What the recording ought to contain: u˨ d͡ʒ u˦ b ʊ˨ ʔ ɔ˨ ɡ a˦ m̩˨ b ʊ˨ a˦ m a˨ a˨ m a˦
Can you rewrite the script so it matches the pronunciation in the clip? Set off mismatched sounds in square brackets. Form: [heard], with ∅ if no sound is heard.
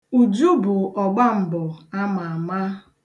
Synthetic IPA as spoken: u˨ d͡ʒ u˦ b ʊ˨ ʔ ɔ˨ [ɡ͡b] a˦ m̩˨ b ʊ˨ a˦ m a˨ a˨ m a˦